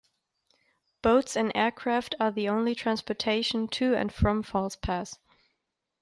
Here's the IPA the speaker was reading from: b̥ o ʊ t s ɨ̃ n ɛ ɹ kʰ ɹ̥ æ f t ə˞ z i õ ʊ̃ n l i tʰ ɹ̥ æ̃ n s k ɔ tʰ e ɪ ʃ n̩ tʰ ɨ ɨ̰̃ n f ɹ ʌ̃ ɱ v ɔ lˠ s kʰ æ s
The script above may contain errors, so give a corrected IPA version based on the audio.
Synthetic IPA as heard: b̥ o ʊ t s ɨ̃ n ɛ ɹ kʰ ɹ̥ æ f t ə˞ ð i õ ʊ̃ n l i tʰ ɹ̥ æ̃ n s p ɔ tʰ e ɪ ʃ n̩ tʰ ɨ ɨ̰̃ n f ɹ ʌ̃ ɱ f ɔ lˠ s pʰ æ s